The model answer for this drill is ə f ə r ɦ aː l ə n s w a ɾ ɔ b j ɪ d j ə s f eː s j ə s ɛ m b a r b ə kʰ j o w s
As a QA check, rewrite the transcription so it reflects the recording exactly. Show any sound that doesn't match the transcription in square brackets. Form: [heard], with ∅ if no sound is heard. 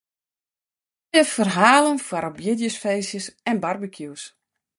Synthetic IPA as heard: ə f ə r ɦ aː l ə n [f] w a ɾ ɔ b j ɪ d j ə s f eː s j ə s ɛ [n] b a r b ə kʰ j [u] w s